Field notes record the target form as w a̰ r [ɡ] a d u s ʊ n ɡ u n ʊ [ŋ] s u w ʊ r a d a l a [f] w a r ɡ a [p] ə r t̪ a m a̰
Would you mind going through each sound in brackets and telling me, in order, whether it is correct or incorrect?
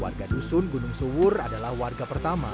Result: correct, correct, incorrect, correct

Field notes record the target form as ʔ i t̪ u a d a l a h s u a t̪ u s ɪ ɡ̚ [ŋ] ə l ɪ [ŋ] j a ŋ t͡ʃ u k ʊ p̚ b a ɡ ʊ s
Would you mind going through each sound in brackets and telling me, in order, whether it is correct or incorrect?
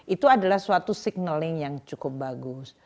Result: incorrect, correct

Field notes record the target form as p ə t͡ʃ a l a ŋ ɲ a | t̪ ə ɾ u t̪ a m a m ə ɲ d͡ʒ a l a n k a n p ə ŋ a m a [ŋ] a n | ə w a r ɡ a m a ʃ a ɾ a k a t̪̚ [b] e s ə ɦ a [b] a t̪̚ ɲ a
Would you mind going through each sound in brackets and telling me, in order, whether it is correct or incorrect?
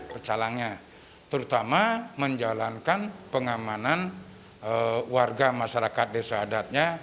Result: incorrect, incorrect, incorrect

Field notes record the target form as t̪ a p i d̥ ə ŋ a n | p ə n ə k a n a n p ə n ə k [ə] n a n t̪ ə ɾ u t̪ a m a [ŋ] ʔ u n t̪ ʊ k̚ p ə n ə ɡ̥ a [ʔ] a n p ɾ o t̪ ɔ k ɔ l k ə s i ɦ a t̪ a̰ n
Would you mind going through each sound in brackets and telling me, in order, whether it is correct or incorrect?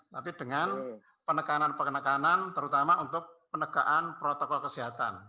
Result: incorrect, incorrect, correct

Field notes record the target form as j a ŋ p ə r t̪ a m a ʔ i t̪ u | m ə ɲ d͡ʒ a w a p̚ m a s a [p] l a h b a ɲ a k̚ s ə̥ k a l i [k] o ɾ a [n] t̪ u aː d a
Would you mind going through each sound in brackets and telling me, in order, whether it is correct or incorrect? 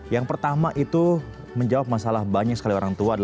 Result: incorrect, incorrect, incorrect

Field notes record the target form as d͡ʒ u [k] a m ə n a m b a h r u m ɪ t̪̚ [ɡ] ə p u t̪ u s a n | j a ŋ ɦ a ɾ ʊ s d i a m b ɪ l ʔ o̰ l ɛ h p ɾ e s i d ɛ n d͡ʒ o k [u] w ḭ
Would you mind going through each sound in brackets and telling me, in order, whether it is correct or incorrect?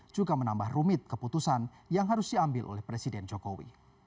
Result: incorrect, incorrect, incorrect

